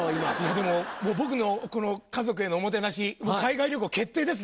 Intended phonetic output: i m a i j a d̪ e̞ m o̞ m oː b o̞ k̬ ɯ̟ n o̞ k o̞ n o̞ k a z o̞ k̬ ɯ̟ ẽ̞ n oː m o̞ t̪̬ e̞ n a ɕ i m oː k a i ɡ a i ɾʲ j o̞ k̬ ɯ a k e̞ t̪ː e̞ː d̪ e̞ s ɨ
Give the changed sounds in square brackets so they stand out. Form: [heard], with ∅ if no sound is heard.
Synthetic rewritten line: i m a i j a d̪ e̞ m o̞ m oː b o̞ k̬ ɯ̟ n o̞ k o̞ n o̞ k a z o̞ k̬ ɯ̟ [e̞] n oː m o̞ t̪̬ e̞ n a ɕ i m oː k a i ɡ a i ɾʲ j o̞ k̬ ɯ a k e̞ t̪ː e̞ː d̪ e̞ s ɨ

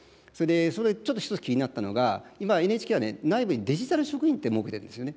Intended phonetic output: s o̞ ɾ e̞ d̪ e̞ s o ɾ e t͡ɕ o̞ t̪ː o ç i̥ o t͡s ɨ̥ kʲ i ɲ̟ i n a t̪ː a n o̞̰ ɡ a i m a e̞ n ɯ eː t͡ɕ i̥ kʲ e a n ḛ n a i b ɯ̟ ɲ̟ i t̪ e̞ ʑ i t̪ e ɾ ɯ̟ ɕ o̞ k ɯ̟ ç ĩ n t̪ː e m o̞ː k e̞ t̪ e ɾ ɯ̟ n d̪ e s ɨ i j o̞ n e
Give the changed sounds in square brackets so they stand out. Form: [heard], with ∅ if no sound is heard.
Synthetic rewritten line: s o̞ ɾ e̞ d̪ e̞ s o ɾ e t͡ɕ o̞ t̪ː o ç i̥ o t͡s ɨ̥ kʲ i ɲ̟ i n a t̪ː a n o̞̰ ɡ a i m a e̞ n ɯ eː t͡ɕ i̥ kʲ e a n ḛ n a i b ɯ̟ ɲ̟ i [d̪] e̞ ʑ i t̪ [a] ɾ ɯ̟ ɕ o̞ k ɯ̟ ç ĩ n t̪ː e m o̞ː k e̞ t̪ e ɾ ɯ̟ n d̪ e s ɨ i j o̞ n e

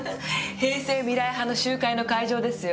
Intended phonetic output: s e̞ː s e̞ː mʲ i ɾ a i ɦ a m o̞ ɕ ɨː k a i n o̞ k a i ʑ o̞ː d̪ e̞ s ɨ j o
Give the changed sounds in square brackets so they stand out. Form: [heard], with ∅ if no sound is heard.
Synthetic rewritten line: [h] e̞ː s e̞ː mʲ i ɾ a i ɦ a [n] o̞ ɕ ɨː k a i n o̞ k a i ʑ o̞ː d̪ e̞ s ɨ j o

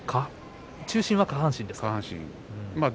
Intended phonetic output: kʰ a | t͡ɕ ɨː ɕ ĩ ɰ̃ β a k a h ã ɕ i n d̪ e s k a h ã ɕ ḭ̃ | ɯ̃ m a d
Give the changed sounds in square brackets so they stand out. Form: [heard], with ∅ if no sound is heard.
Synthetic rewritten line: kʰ a | t͡ɕ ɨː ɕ ĩ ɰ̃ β a k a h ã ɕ [ĩ] n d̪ e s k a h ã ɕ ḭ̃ | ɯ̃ m a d

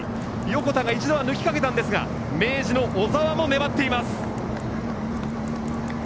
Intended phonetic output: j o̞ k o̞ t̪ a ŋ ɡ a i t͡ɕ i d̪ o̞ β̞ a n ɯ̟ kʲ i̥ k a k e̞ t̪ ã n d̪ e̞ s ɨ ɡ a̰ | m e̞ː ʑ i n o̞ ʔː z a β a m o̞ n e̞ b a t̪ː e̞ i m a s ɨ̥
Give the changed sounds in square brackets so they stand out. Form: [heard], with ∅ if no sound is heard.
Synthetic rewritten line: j o̞ k o̞ t̪ a ŋ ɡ a i t͡ɕ i d̪ o̞ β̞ a n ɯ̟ kʲ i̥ k a k e̞ t̪ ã n d̪ e̞ s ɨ ɡ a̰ | m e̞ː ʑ i n o̞ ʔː z a β a m o̞ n e̞ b a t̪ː e̞ i m a s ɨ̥

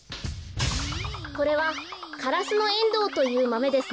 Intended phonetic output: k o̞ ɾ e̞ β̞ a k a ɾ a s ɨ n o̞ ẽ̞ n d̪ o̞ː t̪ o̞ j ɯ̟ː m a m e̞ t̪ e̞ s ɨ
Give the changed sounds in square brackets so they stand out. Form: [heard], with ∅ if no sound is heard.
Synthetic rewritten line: k o̞ ɾ e̞ β̞ a k a ɾ a s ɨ n o̞ ẽ̞ n d̪ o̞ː t̪ o̞ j ɯ̟ː m a m e̞ [d̪] e̞ s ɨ

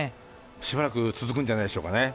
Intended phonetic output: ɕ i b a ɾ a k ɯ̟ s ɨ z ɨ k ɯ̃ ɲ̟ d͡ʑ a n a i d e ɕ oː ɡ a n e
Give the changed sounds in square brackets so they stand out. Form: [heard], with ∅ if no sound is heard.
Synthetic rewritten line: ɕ i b a ɾ a k ɯ̟ [t͡s] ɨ z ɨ k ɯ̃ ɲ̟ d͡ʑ a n a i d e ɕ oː [k] a n e

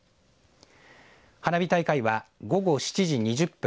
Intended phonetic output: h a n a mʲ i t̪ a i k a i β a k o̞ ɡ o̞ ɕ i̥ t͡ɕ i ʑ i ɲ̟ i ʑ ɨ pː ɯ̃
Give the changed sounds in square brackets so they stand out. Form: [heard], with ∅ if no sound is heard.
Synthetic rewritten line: h a n a [bʲ] i t̪ a i k a i β a [ɡ] o̞ ɡ o̞ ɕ i̥ t͡ɕ i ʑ i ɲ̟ i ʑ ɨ pː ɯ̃

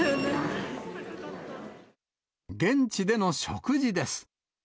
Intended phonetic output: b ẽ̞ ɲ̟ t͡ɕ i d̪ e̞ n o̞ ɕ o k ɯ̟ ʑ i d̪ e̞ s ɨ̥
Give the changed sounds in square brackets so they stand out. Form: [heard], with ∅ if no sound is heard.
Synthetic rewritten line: [ɡ] ẽ̞ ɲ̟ t͡ɕ i d̪ e̞ n o̞ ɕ o k ɯ̟ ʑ i d̪ e̞ s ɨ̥

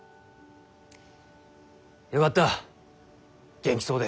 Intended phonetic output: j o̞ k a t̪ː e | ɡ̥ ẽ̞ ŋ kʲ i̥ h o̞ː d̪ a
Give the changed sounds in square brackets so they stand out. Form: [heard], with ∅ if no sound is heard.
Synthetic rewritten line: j o̞ k a t̪ː [a] | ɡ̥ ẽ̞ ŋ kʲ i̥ [s] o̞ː d̪ [e]

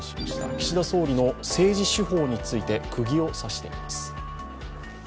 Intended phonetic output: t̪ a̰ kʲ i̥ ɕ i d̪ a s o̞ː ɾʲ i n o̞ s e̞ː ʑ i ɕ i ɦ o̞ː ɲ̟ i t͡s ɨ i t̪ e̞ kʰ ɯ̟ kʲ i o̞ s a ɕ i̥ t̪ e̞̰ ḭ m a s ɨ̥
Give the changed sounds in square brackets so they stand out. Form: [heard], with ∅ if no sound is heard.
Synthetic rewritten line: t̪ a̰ kʲ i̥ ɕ i d̪ a s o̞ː ɾʲ i n o̞ s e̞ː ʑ i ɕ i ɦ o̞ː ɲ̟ i t͡s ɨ i t̪ e̞ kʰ ɯ̟ [ɡʲ] i o̞ s a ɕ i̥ t̪ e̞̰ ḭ m a s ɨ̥

